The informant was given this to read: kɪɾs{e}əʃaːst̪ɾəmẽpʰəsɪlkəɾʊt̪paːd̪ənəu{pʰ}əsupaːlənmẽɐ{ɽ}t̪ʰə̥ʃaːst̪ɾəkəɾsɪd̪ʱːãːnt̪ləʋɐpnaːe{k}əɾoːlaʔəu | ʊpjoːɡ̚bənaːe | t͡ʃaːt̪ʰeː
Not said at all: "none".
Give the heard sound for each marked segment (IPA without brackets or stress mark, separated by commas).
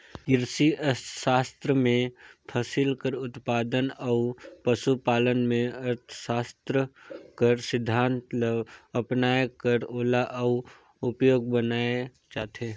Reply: i, p, ɾ, k